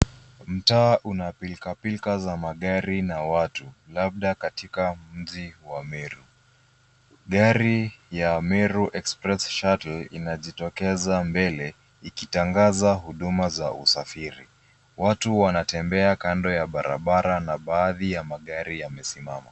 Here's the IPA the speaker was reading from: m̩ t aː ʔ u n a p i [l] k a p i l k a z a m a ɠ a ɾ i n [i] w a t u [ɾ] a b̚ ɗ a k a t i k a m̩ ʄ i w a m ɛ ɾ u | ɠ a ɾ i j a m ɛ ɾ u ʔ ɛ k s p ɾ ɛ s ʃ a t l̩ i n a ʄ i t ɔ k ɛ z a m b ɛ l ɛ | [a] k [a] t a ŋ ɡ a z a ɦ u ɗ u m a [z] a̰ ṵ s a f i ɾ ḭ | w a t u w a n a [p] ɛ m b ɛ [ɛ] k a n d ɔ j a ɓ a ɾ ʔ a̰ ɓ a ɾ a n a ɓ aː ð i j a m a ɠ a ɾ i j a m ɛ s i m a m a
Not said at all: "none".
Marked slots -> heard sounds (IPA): l, a, l, i, i, z, t, a

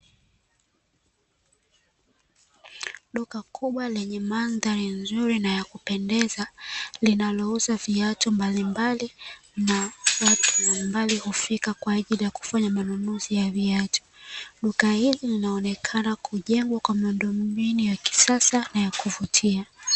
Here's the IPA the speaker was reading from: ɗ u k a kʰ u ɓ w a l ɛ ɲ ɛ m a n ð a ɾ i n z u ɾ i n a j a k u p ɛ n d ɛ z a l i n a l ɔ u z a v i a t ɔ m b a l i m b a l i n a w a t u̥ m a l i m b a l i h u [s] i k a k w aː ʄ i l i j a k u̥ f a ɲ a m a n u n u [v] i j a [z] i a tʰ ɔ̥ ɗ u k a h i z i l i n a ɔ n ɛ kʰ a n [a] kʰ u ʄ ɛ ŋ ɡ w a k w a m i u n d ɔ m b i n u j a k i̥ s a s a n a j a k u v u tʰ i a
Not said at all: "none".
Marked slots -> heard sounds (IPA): f, z, v, a

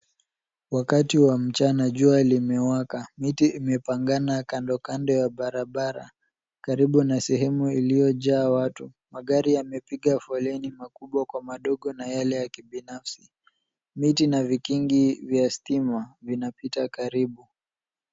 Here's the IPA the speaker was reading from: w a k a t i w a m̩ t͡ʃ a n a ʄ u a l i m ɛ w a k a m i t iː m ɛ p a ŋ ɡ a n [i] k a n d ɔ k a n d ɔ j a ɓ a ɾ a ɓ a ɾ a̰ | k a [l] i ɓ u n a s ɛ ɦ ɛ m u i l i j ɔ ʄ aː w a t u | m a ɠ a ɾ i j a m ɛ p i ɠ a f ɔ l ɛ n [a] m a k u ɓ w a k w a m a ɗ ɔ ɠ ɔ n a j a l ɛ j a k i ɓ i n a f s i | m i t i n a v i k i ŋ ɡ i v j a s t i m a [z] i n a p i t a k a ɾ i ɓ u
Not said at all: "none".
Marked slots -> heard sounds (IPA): a, ɾ, i, v

